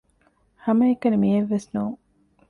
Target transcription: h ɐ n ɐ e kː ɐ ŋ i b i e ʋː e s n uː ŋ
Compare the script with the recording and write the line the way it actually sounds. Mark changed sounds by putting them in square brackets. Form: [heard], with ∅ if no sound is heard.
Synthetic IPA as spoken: h ɐ [m] ɐ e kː ɐ [n] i [m] i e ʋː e s n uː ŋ